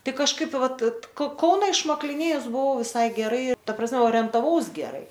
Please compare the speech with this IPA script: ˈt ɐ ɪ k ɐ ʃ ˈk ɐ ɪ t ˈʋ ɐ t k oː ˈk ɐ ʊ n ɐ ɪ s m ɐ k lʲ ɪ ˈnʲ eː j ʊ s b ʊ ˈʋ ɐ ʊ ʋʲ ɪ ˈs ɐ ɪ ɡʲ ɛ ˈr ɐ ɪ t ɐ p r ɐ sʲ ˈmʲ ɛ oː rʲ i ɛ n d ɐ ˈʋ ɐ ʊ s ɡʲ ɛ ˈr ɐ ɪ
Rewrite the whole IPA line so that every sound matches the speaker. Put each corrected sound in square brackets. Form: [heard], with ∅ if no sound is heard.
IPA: ˈt ɐ ɪ k ɐ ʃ ˈk ɐ ɪ [p] ˈʋ ɐ t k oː ˈk ɐ ʊ n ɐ ɪ [ʃ] m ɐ k lʲ ɪ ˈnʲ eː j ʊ s b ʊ ˈʋ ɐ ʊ ʋʲ ɪ ˈs ɐ ɪ ɡʲ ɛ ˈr ɐ ɪ t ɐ p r ɐ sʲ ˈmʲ ɛ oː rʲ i ɛ n [t] ɐ ˈʋ ɐ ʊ s ɡʲ ɛ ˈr ɐ ɪ